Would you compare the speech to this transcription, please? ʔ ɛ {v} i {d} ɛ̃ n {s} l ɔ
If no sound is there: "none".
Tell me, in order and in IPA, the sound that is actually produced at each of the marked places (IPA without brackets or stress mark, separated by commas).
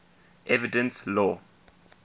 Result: v, d, s